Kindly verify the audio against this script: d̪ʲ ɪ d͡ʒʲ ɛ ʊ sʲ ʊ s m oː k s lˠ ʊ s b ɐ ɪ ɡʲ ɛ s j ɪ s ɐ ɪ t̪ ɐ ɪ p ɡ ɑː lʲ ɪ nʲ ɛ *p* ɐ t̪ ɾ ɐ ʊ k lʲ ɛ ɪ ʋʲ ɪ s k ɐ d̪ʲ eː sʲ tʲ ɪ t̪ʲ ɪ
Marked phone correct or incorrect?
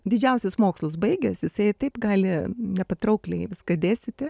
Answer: correct